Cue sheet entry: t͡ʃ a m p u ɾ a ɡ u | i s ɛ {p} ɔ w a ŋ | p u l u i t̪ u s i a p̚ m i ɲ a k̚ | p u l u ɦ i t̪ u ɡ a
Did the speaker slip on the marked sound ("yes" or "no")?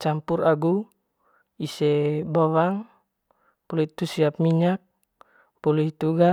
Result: yes